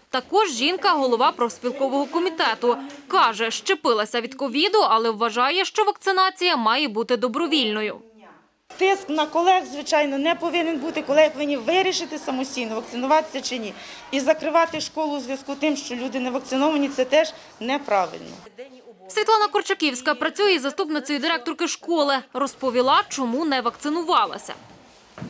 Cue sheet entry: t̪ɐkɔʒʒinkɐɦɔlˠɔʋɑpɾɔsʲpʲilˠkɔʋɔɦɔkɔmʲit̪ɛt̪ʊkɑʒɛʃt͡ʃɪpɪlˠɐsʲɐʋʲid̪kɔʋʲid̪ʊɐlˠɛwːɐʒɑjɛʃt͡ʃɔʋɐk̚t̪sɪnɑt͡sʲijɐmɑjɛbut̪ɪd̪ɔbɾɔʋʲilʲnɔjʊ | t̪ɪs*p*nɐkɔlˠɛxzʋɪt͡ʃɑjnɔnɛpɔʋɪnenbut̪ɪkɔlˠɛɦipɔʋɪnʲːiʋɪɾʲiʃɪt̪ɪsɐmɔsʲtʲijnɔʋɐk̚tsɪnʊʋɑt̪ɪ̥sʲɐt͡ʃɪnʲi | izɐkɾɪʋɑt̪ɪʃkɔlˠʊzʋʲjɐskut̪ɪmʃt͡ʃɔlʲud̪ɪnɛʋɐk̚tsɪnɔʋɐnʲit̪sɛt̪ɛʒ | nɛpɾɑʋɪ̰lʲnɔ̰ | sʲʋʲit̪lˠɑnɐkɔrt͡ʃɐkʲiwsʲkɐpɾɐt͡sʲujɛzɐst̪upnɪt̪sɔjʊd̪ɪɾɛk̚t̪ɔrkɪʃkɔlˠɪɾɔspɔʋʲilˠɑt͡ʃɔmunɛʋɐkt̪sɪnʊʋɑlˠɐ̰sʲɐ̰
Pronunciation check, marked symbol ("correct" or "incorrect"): incorrect